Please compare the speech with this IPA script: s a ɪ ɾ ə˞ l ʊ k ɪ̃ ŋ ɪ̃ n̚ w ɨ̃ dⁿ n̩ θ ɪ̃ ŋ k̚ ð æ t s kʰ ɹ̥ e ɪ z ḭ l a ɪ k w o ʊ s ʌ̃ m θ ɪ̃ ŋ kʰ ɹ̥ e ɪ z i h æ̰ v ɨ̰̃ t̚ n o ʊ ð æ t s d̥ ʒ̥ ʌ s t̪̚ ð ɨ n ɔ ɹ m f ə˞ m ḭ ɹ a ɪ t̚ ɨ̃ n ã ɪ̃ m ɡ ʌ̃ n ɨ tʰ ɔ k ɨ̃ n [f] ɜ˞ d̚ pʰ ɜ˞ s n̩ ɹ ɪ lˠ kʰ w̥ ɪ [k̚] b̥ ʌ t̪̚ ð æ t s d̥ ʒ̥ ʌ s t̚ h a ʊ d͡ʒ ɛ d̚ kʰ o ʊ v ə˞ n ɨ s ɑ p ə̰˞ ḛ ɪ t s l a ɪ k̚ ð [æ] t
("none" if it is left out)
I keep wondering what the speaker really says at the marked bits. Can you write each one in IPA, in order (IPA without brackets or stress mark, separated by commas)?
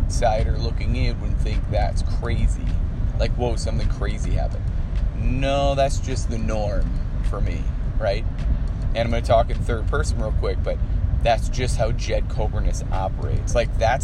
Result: θ, k̚, æ